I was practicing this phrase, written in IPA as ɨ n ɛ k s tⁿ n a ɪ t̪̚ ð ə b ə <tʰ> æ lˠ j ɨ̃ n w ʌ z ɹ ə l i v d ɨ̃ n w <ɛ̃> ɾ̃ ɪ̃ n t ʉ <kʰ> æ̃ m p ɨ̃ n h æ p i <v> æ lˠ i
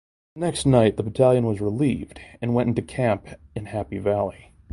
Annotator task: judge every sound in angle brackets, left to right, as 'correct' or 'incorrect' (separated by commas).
correct, correct, correct, correct